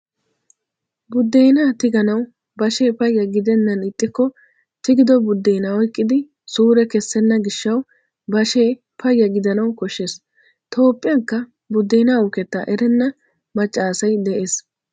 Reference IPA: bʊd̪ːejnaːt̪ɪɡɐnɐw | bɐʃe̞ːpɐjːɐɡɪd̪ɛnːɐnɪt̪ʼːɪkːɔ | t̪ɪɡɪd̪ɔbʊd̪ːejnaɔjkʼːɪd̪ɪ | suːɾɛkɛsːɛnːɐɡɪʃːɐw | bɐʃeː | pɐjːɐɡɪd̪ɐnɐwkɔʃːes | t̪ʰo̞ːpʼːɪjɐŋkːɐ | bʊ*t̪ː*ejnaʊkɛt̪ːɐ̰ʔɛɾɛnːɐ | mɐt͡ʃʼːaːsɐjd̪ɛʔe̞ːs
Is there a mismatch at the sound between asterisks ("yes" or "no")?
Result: yes